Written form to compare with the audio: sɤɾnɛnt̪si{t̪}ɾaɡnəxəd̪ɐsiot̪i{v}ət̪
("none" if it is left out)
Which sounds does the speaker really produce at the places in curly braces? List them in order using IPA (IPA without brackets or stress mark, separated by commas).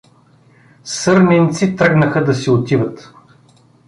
t̪, v